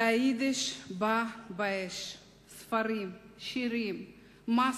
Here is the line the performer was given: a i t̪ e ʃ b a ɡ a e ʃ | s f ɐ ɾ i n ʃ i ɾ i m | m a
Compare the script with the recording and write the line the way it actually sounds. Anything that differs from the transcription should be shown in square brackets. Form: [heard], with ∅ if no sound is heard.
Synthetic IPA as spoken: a i [d̪] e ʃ b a [b] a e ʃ | s f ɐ ɾ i [m] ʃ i ɾ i m | m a